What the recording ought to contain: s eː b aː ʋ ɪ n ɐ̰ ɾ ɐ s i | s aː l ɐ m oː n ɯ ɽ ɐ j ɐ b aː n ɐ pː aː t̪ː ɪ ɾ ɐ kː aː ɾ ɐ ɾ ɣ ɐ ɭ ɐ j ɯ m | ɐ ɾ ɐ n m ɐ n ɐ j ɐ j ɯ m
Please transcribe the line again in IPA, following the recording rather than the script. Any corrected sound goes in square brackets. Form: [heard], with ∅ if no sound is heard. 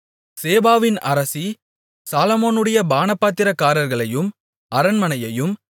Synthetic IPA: s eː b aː ʋ ɪ n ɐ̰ ɾ ɐ s i | s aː l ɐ m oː n ɯ ɽ ɐ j ɐ b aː n ɐ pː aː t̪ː ɪ ɾ ɐ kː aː ɾ ɐ ɾ ɣ ɐ ɭ ɐ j ɯ m | ɐ ɾ ɐ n m ɐ n ɐ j ɐ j ɯ m

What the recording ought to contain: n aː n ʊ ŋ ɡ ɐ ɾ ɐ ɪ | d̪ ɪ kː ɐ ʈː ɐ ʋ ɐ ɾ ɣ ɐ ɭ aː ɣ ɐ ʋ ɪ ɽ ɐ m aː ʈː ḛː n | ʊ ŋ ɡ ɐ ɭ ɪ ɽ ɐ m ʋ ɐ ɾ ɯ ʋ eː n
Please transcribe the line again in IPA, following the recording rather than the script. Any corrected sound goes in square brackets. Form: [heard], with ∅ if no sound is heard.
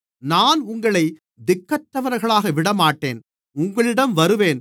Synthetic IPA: n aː n ʊ ŋ ɡ ɐ [ɭ] ɐ ɪ | d̪ ɪ kː ɐ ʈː ɐ ʋ ɐ ɾ ɣ ɐ ɭ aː ɣ ɐ ʋ ɪ ɽ ɐ m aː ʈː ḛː n | ʊ ŋ ɡ ɐ ɭ ɪ ɽ ɐ m ʋ ɐ ɾ ɯ ʋ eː n

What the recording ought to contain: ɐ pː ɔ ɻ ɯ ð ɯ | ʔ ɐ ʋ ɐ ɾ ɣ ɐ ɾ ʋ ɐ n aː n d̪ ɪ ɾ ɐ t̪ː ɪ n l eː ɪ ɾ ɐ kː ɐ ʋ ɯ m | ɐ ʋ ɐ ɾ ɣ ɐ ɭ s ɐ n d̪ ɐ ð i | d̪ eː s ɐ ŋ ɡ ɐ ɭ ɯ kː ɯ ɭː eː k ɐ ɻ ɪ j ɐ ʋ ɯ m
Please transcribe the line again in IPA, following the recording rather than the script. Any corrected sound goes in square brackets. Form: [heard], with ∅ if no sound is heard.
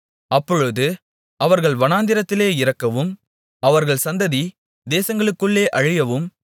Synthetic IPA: ɐ pː ɔ ɻ ɯ ð ɯ | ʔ ɐ ʋ ɐ ɾ ɣ ɐ [ɭ] ʋ ɐ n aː n d̪ ɪ ɾ ɐ t̪ː ɪ [∅] l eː ɪ ɾ ɐ kː ɐ ʋ ɯ m | ɐ ʋ ɐ ɾ ɣ ɐ ɭ s ɐ n d̪ ɐ ð i | d̪ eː s ɐ ŋ ɡ ɐ ɭ ɯ kː ɯ ɭː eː [ʔ] ɐ ɻ ɪ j ɐ ʋ ɯ m

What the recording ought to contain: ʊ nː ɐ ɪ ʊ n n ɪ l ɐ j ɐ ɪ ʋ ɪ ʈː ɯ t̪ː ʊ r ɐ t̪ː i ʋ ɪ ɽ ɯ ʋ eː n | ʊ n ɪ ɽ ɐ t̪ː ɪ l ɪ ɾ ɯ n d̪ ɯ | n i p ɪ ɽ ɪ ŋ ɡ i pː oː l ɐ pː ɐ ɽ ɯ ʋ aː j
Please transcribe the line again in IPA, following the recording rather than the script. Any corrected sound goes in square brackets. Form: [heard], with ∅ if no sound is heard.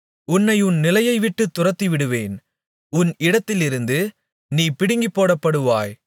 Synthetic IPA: ʊ nː ɐ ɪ ʊ n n ɪ l ɐ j ɐ ɪ ʋ ɪ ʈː ɯ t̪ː ʊ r ɐ t̪ː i ʋ ɪ ɽ ɯ ʋ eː n | ʊ n ɪ ɽ ɐ t̪ː ɪ l ɪ ɾ ɯ n d̪ ɯ | n [iː] p ɪ ɽ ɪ ŋ ɡ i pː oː [ɽ] ɐ pː ɐ ɽ ɯ ʋ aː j

